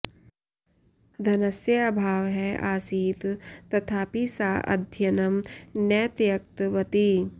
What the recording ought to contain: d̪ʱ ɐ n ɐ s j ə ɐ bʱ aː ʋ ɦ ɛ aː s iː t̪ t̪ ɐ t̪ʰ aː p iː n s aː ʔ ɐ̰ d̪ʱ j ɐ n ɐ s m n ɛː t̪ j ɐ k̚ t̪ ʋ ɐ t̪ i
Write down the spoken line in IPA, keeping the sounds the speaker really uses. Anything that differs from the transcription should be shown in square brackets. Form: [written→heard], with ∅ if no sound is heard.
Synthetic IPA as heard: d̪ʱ ɐ n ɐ s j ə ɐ bʱ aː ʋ ɦ ɛ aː s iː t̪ t̪ ɐ t̪ʰ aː p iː [n→∅] s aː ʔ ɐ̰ d̪ʱ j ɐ n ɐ [s→∅] m n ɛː t̪ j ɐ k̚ t̪ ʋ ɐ t̪ i